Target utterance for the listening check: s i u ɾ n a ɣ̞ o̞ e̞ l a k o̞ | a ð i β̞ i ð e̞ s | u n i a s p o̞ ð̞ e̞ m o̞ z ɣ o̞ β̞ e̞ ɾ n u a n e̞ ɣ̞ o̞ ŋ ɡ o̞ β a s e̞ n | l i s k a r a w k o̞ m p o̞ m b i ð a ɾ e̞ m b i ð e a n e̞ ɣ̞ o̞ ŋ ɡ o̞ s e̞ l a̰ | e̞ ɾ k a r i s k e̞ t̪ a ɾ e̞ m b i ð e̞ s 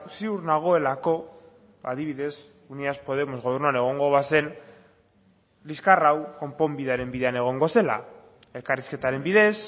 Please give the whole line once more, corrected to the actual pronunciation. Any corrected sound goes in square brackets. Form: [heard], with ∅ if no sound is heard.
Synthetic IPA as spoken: s i u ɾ n a ɣ̞ o̞ e̞ l a k o̞ | a ð i β̞ i ð e̞ s | u n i a s p o̞ ð̞ e̞ m o̞ z ɣ o̞ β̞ e̞ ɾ n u a n e̞ ɣ̞ o̞ ŋ ɡ o̞ β a s e̞ n | l i s k a r a w k o̞ m p o̞ m b i ð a ɾ e̞ m b i ð e a n e̞ ɣ̞ o̞ ŋ ɡ o̞ s e̞ l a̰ | e̞ [l] k a r i s k e̞ t̪ a ɾ e̞ m b i ð e̞ s